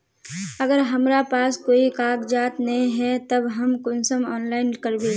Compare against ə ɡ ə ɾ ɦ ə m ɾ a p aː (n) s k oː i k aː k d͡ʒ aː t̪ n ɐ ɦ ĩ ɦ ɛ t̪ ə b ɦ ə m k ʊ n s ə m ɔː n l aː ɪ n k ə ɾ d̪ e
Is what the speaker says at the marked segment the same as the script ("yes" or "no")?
no